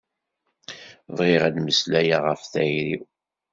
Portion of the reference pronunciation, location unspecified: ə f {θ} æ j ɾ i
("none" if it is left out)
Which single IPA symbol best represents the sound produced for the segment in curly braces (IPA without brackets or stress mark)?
θ